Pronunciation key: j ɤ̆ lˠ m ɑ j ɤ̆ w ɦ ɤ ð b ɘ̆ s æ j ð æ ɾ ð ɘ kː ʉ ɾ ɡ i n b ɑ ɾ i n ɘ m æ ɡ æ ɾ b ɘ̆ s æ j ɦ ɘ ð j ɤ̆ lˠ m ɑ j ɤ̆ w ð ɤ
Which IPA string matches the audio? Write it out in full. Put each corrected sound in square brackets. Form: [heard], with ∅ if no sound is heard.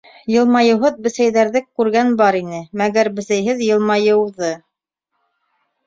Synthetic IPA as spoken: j ɤ̆ lˠ m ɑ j ɤ̆ w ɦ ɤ ð b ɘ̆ s æ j ð æ ɾ ð ɘ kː ʉ ɾ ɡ [æ] n b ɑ ɾ i n ɘ m æ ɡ æ ɾ b ɘ̆ s æ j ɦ ɘ ð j ɤ̆ lˠ m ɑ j ɤ̆ w ð ɤ